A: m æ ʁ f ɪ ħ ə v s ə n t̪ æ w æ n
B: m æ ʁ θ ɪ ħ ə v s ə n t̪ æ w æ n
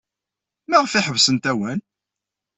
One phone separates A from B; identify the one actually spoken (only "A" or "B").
A